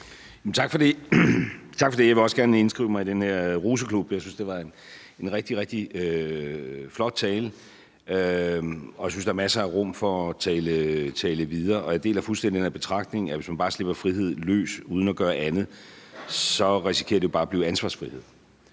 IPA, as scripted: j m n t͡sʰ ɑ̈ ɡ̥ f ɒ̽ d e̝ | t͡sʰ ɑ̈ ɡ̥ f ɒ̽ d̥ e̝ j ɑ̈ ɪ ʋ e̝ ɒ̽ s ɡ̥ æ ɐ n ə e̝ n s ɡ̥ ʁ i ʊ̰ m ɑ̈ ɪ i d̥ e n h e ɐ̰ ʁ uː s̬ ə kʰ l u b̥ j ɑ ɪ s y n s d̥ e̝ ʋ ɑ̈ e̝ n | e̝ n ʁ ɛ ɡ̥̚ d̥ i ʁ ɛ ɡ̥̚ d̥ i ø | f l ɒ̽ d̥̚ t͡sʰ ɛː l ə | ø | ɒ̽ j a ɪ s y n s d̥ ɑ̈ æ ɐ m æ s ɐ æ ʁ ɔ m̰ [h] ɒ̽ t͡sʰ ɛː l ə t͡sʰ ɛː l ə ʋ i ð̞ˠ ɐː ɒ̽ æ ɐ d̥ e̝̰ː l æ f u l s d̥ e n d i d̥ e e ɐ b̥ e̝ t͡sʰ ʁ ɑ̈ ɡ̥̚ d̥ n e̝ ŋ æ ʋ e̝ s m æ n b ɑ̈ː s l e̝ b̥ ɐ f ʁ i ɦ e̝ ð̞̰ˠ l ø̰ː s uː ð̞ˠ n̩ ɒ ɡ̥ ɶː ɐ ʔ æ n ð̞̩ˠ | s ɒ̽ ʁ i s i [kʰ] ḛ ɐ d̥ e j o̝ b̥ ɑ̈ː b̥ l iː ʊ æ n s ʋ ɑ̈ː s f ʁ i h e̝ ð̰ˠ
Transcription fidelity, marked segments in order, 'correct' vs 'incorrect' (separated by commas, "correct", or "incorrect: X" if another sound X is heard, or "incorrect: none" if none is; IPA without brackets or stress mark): incorrect: f, correct